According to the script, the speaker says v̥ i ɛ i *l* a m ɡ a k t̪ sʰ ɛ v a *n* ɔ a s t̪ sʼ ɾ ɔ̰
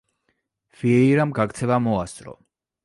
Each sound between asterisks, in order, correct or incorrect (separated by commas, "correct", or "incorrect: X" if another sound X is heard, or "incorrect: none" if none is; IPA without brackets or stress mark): incorrect: ɾ, incorrect: m